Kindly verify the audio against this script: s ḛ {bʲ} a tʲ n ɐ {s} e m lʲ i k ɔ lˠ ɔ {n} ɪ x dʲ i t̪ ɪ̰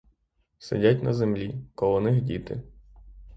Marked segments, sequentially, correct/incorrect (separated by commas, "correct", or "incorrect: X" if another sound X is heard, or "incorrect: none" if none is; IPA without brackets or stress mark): incorrect: dʲ, incorrect: z, correct